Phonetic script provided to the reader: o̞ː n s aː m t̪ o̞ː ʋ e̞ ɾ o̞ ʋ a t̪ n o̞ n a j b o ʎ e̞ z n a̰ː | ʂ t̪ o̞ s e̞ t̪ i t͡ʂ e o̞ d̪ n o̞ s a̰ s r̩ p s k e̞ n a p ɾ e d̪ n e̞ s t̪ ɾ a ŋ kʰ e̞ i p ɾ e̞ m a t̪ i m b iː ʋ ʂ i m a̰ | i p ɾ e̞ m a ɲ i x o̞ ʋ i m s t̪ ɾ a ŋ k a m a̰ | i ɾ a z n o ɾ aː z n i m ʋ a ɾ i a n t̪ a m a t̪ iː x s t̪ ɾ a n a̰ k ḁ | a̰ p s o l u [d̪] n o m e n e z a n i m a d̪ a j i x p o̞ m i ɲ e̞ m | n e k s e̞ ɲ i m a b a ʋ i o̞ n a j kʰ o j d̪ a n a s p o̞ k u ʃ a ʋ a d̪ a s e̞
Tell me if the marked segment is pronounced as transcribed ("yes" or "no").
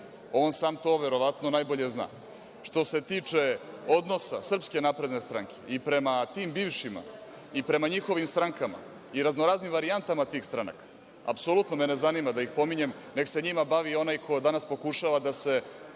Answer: no